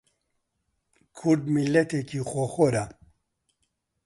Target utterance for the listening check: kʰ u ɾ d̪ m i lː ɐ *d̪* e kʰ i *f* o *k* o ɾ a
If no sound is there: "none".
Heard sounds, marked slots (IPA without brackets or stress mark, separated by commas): t̪, x, x